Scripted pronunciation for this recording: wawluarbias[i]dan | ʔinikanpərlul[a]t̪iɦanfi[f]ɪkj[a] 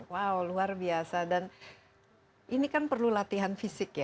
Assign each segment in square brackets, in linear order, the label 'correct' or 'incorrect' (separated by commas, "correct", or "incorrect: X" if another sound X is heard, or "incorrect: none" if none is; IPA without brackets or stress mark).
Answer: incorrect: a, correct, incorrect: s, correct